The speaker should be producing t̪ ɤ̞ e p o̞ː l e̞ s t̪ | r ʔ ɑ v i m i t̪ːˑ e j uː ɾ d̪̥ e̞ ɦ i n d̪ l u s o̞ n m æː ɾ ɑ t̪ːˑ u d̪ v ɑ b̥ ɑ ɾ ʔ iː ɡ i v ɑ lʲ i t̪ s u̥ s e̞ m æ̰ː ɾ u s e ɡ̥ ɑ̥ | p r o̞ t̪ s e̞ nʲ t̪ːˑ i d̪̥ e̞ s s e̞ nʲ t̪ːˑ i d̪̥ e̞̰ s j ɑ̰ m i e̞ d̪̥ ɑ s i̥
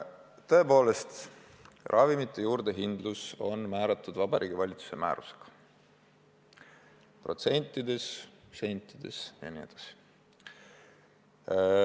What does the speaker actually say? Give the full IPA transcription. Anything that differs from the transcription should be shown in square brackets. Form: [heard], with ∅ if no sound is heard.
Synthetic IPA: t̪ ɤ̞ e p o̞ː l e̞ s t̪ | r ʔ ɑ v i m i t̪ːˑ e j uː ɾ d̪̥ e̞ ɦ i n d̪ l u s o̞ n m æː ɾ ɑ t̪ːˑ u d̪ v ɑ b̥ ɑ ɾ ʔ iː ɡ i v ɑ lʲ i t̪ s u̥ s e̞ m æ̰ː ɾ u s e ɡ̥ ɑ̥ | p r o̞ t̪ s e̞ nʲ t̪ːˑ i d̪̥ e̞ s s e̞ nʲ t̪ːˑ i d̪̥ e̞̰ s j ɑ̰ [n] i e̞ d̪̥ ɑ s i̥